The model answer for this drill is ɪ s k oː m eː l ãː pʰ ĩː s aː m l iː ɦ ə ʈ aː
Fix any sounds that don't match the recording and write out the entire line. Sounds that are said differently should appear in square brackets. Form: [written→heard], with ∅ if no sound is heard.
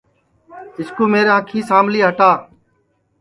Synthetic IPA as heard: ɪ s k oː m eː [l→ɾ] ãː [pʰ→kʰ] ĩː s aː m l iː ɦ ə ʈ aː